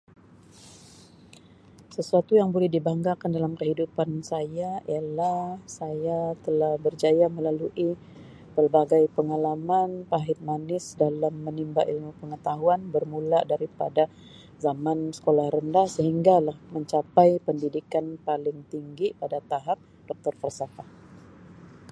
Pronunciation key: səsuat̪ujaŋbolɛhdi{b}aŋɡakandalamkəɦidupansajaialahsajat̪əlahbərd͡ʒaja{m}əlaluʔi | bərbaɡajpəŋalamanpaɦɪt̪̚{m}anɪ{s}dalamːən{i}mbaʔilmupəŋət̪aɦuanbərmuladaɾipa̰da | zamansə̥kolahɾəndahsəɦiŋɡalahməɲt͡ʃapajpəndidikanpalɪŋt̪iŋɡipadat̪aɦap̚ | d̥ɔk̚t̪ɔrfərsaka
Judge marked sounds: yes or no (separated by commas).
yes, yes, yes, yes, yes